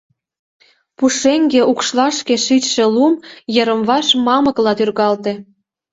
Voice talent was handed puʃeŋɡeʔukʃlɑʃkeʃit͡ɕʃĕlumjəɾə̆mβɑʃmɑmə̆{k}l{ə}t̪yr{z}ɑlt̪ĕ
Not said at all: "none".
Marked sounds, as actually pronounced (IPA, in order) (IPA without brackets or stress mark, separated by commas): k, ɑ, ɣ